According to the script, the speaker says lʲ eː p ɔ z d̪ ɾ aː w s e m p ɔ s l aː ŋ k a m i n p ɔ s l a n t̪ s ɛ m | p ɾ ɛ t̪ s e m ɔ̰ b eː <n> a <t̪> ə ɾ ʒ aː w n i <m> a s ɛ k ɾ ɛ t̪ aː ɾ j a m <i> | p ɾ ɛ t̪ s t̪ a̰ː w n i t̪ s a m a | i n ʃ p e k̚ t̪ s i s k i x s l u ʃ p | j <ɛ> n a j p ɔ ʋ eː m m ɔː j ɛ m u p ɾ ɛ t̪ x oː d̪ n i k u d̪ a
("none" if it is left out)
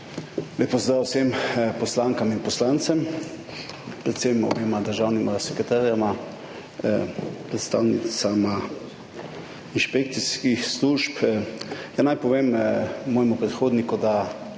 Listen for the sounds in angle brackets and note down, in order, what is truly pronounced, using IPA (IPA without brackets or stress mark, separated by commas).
m, d̪, m, a, a